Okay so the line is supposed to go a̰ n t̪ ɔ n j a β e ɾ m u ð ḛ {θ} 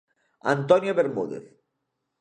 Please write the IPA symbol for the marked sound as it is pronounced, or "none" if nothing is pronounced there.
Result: θ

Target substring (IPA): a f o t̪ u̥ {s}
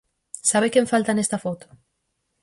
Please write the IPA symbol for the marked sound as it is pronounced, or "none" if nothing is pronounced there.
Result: none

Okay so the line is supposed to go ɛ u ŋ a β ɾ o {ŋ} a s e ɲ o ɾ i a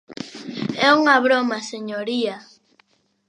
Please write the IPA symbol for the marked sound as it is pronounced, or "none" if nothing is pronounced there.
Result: m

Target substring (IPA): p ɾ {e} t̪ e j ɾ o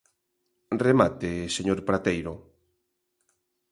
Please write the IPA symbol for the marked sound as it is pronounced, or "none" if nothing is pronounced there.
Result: a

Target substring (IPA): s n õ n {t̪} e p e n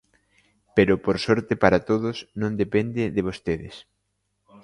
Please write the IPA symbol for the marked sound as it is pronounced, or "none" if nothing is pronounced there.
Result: d̪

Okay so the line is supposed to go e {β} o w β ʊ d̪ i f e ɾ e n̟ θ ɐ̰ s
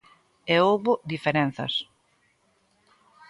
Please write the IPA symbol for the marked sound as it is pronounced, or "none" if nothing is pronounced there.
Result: none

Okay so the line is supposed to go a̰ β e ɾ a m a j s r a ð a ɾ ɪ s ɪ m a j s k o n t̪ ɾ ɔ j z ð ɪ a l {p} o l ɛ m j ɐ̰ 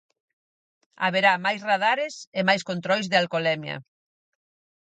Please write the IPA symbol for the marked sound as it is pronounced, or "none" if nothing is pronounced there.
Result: k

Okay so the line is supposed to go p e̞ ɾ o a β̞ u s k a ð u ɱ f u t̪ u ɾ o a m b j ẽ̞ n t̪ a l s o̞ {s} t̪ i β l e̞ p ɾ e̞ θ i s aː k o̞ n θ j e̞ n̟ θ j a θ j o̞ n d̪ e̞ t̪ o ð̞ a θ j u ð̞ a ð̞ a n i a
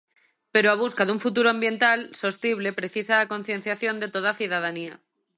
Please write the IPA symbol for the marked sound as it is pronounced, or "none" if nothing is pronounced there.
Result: s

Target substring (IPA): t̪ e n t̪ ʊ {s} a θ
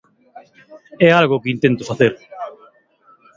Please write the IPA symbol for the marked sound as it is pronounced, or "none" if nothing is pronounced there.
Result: f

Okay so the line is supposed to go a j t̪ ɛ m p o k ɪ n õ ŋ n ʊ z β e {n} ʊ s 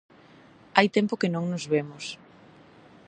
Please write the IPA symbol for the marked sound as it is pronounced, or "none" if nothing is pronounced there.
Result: m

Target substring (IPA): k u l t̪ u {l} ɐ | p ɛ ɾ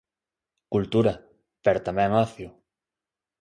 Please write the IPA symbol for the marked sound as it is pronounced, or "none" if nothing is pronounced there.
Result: ɾ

